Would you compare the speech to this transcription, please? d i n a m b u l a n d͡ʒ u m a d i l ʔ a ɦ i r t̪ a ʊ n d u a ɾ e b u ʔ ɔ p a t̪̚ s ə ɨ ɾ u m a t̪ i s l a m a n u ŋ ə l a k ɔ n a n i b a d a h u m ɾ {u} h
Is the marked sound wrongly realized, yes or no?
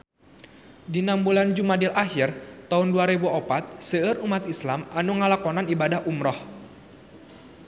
yes